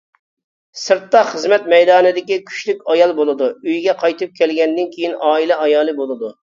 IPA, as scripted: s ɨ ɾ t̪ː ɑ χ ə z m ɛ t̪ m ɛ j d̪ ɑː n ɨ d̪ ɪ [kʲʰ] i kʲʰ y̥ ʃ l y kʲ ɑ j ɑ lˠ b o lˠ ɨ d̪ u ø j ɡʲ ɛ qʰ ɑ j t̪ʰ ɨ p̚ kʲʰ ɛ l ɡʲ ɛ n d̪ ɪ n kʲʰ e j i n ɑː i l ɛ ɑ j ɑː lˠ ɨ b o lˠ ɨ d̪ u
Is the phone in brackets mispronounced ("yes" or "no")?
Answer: yes